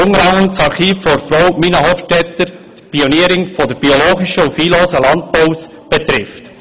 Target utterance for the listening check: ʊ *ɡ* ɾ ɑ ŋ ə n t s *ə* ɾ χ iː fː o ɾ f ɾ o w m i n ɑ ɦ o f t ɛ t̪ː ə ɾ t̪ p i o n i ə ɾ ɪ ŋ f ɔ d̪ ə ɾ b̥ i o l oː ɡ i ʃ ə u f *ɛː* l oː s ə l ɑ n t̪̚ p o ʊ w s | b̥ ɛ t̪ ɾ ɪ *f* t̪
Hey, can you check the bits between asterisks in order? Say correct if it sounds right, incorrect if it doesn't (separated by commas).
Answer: incorrect, incorrect, incorrect, correct